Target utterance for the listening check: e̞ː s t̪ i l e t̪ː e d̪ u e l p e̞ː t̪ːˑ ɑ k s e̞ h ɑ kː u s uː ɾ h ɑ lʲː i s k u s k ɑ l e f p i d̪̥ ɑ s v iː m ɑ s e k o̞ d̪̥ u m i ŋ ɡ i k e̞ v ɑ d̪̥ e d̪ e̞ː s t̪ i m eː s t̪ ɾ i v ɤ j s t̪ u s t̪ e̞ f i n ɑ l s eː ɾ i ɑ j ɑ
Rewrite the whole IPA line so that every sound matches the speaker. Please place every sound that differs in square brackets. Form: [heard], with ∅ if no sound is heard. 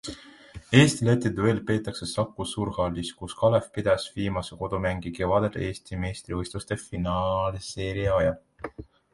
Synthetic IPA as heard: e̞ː s t̪ i l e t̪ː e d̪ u e l p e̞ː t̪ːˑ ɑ k s e̞ [s] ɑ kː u s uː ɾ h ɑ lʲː i s k u s k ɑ l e f p i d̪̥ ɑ s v iː m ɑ s e k o̞ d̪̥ u m [æ] ŋ ɡ i k e̞ v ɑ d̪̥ e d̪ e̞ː s t̪ i m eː s t̪ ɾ i v ɤ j s t̪ u s t̪ e̞ f i n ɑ l s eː ɾ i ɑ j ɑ